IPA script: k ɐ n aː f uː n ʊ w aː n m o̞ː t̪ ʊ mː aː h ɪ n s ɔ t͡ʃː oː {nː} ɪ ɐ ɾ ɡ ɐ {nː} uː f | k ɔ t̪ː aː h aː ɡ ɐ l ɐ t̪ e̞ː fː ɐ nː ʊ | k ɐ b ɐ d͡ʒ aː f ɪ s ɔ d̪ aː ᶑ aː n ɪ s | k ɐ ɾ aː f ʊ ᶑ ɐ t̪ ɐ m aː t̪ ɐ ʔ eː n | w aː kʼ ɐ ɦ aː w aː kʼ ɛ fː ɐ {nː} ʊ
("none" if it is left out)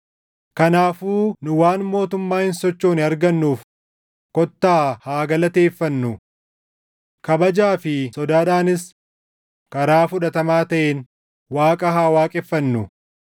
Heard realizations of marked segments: n, nː, nː

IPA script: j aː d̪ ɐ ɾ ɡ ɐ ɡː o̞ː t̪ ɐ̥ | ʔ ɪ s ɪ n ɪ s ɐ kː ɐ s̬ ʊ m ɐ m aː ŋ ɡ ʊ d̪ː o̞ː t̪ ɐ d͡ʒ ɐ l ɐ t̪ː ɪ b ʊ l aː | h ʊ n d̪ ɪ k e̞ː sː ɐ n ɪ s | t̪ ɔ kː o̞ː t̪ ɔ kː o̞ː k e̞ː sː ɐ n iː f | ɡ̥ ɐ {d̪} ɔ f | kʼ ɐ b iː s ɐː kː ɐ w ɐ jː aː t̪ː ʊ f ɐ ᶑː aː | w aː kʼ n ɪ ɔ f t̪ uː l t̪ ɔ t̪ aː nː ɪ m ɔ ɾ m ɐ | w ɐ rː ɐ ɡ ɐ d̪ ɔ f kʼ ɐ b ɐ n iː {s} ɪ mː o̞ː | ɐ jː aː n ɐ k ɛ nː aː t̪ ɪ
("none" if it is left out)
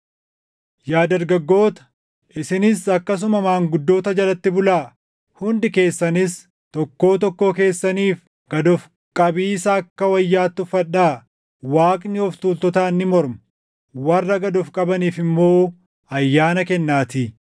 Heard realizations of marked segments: d̪, f

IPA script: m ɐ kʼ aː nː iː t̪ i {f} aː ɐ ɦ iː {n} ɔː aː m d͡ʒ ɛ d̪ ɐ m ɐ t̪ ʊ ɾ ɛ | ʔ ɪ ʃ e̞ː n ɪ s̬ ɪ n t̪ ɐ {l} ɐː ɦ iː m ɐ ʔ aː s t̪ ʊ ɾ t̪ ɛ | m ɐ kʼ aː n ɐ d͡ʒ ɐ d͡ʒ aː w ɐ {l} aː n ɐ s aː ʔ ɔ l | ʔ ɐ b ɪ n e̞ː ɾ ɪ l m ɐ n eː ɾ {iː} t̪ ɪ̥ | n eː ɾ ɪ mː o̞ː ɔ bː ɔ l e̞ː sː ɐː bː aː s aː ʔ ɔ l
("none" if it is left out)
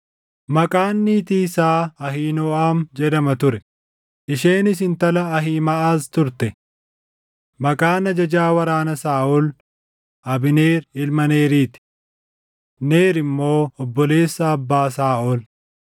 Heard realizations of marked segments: s, n, l, ɾ, iː

